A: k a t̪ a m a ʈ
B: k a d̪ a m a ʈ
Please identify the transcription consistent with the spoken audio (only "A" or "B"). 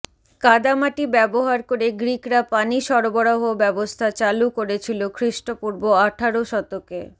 B